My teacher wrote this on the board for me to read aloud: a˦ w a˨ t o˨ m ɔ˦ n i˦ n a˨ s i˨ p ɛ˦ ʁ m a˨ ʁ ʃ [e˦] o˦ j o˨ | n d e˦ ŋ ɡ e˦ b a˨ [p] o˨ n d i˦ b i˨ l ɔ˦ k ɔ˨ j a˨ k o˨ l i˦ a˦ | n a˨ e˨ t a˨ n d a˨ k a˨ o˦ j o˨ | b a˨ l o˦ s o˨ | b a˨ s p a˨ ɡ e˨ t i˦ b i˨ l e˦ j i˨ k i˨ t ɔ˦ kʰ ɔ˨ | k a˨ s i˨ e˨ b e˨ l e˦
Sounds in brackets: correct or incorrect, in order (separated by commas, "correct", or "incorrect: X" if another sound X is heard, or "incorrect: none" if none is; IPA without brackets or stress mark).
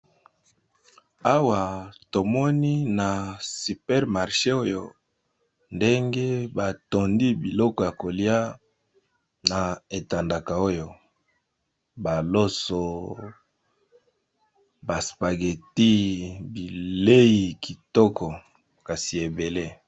correct, incorrect: t